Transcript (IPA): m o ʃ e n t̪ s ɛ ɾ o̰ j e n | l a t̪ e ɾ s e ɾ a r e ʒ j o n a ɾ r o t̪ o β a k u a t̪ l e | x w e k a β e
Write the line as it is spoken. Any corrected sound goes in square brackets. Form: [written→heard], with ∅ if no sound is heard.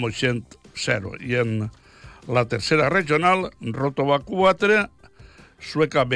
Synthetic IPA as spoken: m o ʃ e n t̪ s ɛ ɾ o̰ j e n | l a t̪ e ɾ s e ɾ a r e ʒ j o n a [ɾ→l] r o t̪ o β a k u a t̪ [l→ɾ] e | [x→s] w e k a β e